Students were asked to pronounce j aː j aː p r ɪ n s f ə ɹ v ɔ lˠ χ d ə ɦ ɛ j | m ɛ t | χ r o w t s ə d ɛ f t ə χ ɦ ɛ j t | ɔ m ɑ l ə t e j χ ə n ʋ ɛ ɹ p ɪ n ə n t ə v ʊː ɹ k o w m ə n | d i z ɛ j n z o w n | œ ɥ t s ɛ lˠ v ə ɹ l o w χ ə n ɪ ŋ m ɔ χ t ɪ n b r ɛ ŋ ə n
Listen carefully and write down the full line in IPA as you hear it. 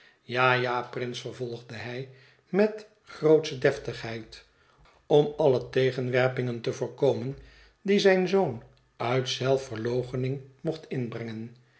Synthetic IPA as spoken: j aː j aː p r ɪ n s f ə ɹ v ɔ lˠ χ d ə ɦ ɛ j | m ɛ t | χ r o w t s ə d ɛ f t ə χ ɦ ɛ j t | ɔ m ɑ l ə t e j χ ə n ʋ ɛ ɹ p ɪ ŋ ə n t ə v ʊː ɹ k o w m ə n | d i z ɛ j n z o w n | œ ɥ t s ɛ lˠ f ə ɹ l o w χ ə n ɪ ŋ m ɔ χ t ɪ n b r ɛ ŋ ə n